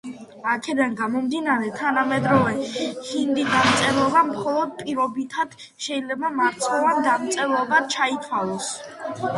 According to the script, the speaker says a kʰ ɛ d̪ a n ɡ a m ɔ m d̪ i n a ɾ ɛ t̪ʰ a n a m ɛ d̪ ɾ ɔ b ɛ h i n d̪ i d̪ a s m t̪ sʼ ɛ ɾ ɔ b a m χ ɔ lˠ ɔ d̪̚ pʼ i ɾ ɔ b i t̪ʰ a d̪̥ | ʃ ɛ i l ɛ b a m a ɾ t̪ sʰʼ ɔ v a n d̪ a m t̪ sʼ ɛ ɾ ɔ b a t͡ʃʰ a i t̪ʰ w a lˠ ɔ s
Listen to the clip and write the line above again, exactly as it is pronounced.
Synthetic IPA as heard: a kʰ ɛ d̪ a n ɡ a m ɔ m d̪ i n a ɾ ɛ t̪ʰ a n a m ɛ d̪ ɾ ɔ v ɛ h i n d̪ i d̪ a m t̪ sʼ ɛ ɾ ɔ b a m χ ɔ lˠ ɔ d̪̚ pʼ i ɾ ɔ b i t̪ʰ a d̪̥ | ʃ ɛ i l ɛ b a m a ɾ t̪ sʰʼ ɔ v a n d̪ a m t̪ sʼ ɛ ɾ ɔ b a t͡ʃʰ a i t̪ʰ w a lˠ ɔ s